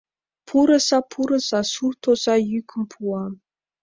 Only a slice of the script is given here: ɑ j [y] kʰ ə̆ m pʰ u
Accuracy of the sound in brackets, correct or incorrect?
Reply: correct